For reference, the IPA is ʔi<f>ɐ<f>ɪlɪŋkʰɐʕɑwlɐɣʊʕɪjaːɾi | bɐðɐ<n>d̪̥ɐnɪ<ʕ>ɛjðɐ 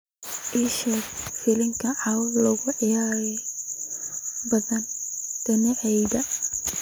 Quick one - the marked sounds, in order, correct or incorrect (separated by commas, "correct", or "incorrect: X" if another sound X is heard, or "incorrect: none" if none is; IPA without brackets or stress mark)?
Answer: incorrect: ʃ, correct, correct, correct